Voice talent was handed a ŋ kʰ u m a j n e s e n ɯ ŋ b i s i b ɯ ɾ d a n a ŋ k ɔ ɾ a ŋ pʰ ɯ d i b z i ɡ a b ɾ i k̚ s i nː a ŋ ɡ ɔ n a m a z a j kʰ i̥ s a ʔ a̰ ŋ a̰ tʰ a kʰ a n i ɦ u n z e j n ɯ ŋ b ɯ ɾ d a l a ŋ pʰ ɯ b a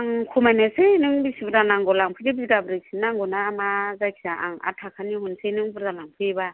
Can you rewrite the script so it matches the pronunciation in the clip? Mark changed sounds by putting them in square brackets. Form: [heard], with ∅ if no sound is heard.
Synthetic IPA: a ŋ kʰ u m a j n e s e n ɯ ŋ b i s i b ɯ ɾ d a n a ŋ [ɡ] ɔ [l] a ŋ pʰ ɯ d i b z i ɡ a b ɾ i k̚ s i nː a ŋ ɡ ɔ n a m a z a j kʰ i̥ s a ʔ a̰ ŋ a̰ tʰ a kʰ a n i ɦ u n [s] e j n ɯ ŋ b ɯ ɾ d a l a ŋ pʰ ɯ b a